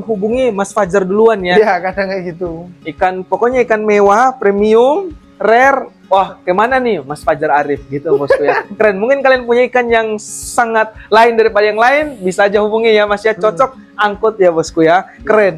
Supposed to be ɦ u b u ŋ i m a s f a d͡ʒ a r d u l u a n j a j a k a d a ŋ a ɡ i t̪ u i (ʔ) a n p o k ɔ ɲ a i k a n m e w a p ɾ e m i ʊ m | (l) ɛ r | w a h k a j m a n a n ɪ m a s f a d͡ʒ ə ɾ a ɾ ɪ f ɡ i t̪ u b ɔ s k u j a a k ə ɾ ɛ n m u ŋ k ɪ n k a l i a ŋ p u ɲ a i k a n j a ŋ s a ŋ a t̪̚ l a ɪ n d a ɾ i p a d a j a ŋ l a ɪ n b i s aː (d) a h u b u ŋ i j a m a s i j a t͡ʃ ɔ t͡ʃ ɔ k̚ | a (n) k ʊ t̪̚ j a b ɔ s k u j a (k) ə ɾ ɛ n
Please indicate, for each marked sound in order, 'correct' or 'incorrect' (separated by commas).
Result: incorrect, incorrect, incorrect, incorrect, correct